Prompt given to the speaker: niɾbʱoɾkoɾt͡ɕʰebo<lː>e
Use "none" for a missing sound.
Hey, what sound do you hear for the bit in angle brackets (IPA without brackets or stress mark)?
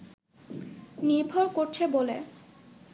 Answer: l